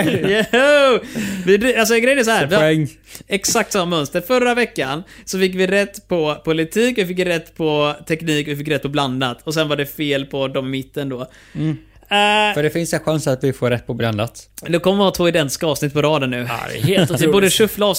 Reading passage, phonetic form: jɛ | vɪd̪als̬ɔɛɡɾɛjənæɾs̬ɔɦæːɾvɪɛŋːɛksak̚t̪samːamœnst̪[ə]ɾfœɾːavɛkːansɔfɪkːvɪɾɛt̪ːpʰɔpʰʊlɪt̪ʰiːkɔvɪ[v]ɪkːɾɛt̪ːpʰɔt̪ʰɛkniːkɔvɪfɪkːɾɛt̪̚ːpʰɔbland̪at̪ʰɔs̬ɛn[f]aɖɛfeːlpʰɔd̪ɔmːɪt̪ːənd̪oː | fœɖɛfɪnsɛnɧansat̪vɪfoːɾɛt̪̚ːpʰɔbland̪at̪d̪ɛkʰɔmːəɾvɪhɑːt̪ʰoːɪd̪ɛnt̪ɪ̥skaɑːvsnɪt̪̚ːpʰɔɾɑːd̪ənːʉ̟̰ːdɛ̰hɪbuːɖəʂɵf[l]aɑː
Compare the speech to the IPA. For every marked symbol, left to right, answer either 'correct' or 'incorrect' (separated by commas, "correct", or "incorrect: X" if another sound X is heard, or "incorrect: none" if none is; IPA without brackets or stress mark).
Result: correct, incorrect: f, incorrect: v, correct